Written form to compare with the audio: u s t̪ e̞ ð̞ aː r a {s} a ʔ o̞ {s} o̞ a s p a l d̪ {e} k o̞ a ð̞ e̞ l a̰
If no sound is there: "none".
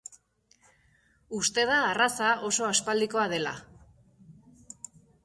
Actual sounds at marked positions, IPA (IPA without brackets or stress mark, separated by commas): s, s, i